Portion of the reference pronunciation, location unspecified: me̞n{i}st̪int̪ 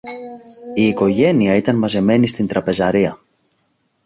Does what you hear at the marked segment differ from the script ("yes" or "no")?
no